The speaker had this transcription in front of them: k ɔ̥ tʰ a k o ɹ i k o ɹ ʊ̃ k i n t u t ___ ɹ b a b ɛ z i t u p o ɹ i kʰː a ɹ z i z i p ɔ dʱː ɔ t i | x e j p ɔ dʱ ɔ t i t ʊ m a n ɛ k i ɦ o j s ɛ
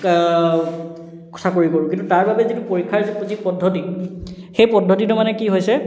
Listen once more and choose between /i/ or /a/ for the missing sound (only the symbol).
a